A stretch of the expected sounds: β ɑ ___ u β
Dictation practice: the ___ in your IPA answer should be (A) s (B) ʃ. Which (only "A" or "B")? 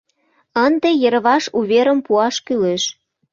B